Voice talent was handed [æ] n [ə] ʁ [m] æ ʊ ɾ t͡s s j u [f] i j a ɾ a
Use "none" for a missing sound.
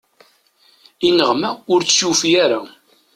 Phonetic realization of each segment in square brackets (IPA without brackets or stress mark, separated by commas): i, ə, m, f